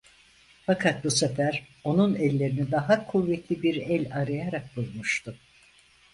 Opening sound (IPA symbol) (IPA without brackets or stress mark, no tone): f